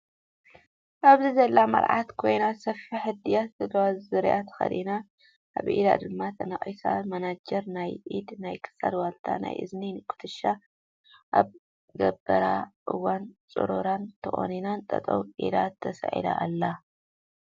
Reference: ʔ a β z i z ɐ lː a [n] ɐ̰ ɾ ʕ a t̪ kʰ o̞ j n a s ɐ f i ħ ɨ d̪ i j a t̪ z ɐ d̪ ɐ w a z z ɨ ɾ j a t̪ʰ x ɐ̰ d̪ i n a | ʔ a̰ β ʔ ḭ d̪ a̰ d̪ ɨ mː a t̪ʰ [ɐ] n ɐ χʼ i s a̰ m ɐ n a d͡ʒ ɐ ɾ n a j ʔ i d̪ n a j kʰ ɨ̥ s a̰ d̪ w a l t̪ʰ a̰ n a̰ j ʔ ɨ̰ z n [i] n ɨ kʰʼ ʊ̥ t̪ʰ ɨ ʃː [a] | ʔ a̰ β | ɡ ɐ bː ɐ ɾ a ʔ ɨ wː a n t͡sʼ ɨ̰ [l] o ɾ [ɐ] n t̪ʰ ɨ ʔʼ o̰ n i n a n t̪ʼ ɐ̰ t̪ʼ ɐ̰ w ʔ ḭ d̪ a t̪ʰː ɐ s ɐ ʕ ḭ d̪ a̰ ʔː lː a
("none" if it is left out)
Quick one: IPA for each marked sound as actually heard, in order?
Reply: m, ɐ, i, a, ɾ, a

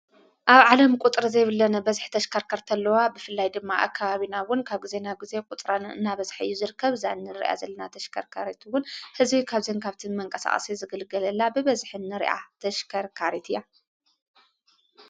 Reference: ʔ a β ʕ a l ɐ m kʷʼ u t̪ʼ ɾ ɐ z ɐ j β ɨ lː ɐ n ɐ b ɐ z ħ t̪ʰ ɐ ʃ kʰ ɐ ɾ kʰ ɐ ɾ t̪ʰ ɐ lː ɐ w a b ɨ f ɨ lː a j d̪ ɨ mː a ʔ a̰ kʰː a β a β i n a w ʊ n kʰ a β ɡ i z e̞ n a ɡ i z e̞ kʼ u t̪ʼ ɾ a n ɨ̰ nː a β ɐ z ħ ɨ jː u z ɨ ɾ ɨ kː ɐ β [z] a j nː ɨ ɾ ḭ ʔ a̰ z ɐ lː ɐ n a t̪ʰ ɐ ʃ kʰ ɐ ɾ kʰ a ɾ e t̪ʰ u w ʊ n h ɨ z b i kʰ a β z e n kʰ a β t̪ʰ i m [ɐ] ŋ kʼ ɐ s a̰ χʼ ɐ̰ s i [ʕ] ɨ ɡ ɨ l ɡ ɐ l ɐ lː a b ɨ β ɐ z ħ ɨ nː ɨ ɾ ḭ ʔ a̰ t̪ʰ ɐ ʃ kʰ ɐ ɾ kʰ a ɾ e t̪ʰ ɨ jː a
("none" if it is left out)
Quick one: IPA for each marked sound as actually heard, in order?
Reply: z, ɐ, z

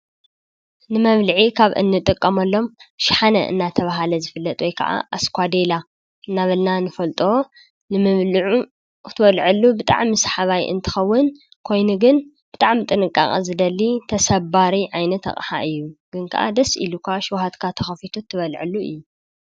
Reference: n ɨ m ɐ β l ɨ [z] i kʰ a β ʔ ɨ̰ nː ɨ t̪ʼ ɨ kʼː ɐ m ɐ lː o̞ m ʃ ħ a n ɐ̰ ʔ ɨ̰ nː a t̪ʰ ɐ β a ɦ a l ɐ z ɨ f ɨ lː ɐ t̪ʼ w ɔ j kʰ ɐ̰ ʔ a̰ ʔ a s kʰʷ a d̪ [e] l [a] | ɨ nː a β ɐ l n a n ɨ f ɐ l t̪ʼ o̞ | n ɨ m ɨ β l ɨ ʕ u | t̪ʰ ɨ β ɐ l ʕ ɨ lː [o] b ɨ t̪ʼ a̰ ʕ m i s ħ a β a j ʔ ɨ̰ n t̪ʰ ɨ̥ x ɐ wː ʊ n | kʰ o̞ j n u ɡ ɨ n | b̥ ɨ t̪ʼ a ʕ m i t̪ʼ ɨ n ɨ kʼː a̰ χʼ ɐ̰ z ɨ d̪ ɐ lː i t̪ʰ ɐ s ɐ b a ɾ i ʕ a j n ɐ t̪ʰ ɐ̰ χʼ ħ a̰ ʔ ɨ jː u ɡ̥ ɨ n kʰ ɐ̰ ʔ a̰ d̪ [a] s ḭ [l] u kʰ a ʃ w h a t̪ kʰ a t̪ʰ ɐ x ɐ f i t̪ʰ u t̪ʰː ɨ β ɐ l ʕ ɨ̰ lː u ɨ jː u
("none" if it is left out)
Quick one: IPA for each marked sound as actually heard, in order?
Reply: ʕ, e, a, u, ɐ, l

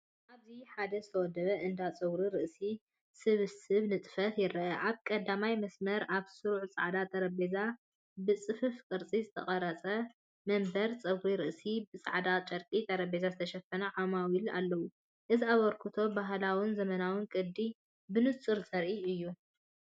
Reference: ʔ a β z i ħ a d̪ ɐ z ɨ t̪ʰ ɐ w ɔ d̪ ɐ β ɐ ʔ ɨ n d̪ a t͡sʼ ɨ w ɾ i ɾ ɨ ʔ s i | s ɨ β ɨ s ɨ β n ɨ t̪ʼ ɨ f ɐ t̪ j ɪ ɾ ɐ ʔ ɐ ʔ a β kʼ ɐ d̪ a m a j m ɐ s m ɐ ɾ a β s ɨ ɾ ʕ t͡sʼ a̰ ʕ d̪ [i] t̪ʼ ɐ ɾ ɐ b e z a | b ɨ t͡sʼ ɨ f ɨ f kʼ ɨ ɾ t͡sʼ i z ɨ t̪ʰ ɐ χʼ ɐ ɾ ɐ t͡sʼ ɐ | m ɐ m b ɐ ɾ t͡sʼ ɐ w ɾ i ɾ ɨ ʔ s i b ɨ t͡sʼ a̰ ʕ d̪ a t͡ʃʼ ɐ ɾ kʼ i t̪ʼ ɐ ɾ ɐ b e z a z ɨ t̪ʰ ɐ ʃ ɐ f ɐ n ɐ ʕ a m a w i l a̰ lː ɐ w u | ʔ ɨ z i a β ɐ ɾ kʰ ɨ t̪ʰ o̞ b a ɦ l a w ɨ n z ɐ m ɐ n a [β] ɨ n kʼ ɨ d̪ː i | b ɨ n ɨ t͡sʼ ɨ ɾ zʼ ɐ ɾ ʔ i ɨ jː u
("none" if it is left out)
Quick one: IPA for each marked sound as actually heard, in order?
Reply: a, w

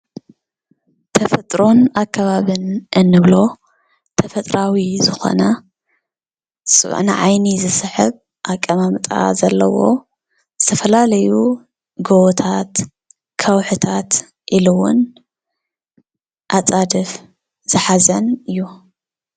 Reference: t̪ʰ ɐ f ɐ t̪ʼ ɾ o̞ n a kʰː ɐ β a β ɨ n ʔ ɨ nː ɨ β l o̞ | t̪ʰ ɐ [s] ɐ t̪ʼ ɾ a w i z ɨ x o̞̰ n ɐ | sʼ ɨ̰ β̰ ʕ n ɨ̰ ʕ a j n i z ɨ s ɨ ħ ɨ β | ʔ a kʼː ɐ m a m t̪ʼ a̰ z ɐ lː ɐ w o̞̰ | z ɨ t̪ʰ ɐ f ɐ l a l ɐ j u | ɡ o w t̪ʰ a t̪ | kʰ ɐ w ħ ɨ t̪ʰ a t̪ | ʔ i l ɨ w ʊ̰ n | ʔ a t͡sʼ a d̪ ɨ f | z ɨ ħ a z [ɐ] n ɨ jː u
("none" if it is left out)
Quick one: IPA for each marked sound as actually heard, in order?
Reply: f, ɐ

